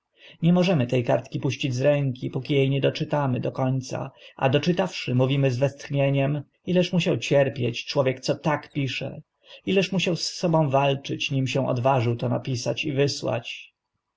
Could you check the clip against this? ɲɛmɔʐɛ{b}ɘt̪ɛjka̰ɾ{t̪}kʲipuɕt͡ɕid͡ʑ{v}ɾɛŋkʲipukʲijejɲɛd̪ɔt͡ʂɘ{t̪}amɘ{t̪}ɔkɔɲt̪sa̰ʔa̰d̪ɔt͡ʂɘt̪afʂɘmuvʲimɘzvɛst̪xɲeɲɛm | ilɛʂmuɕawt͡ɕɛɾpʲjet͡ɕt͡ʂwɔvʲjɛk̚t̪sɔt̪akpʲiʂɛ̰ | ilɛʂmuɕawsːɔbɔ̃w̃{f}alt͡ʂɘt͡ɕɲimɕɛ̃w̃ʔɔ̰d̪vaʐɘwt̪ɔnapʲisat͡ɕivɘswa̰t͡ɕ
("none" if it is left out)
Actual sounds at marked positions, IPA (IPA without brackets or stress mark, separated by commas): m, t̪, z, t̪, d̪, v